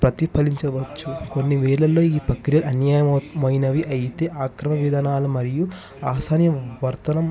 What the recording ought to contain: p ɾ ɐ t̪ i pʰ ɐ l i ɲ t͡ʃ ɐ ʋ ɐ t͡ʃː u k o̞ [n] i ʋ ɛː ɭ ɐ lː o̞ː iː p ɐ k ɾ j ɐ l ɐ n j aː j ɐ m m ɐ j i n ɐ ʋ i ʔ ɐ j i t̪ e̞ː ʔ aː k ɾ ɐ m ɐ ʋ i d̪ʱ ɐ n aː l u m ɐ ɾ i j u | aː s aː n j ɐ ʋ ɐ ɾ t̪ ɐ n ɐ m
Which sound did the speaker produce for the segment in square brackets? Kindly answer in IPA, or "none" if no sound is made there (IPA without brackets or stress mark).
nː